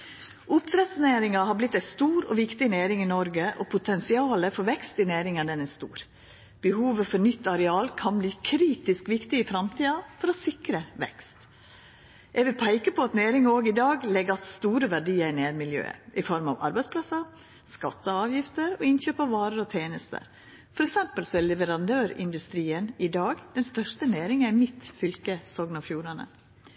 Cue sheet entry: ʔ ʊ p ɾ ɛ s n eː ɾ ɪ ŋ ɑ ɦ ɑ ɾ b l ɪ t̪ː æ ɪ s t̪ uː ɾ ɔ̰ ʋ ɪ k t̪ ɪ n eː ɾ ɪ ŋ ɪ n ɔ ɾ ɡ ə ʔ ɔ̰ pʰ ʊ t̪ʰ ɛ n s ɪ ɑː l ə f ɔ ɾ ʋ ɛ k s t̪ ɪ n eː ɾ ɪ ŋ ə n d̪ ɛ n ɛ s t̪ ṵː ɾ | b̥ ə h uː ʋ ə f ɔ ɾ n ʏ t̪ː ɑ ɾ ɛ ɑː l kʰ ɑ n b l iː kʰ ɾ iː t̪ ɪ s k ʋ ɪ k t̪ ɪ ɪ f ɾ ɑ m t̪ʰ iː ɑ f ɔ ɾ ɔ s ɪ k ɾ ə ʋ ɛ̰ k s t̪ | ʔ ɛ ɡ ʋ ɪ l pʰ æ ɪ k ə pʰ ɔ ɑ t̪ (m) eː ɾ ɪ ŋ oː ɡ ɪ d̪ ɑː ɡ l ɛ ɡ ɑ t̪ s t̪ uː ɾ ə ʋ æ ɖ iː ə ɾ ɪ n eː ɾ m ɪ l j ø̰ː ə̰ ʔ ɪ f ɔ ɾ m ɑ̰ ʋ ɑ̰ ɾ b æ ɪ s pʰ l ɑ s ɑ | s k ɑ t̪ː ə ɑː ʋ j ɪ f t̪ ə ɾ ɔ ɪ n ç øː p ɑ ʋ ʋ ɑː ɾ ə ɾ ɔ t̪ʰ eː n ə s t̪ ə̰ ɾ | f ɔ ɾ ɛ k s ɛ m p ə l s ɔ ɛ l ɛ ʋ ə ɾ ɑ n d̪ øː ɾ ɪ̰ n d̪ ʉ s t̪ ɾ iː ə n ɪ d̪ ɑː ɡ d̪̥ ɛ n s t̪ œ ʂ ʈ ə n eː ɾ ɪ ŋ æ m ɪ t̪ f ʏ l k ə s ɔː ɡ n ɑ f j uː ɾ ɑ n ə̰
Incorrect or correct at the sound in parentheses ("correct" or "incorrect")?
incorrect